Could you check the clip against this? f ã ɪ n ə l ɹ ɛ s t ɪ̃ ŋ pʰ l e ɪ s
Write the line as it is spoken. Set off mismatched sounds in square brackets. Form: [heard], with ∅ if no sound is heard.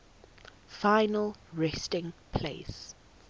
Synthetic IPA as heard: f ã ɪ n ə l ɹ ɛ s t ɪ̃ ŋ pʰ l e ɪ s